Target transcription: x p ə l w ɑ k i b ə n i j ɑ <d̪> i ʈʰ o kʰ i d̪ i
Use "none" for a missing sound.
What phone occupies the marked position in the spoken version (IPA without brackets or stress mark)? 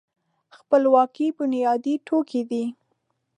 d̪